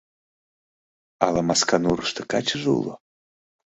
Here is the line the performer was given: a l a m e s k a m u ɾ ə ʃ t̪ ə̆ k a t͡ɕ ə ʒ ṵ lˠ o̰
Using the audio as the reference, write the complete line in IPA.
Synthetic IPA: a l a m a s k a n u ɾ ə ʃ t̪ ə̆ k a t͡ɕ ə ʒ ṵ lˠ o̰